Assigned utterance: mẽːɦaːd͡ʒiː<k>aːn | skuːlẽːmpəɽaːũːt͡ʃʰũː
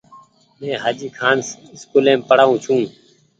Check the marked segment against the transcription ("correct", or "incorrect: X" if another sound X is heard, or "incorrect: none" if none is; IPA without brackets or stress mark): incorrect: kʰ